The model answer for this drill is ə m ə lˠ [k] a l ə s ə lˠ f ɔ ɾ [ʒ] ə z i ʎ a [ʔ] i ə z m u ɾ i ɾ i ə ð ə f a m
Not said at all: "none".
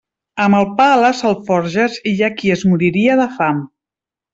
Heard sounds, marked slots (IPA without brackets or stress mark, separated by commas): p, ʒ, k